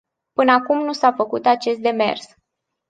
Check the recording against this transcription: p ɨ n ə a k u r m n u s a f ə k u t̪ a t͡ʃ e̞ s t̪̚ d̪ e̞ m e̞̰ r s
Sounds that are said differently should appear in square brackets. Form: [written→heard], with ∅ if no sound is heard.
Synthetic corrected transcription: p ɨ n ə a k u [r→∅] m n u s a f ə k u t̪ a t͡ʃ e̞ s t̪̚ d̪ e̞ m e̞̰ r s